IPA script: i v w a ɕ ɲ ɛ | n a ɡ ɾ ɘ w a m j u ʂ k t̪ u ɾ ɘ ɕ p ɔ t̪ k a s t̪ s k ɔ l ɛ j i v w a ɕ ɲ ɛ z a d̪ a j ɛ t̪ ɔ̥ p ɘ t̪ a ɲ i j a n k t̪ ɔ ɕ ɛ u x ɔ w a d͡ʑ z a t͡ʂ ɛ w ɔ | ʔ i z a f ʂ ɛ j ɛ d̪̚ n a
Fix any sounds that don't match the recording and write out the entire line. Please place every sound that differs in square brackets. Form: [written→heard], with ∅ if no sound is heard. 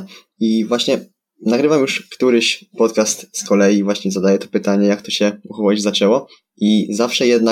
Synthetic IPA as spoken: i v w a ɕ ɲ ɛ | n a ɡ ɾ ɘ [w→v] a m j u ʂ k t̪ u ɾ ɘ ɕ p ɔ t̪ k a s t̪ s k ɔ l ɛ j i v w a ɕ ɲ ɛ z a d̪ a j ɛ t̪ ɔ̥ p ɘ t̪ a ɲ [i→ɛ] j a [n→∅] k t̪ ɔ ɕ ɛ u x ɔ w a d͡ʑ z a t͡ʂ ɛ w ɔ | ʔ i z a f ʂ ɛ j ɛ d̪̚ n a